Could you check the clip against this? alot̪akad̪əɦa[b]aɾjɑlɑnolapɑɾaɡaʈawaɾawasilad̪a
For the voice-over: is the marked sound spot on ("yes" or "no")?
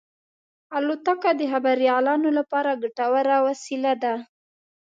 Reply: yes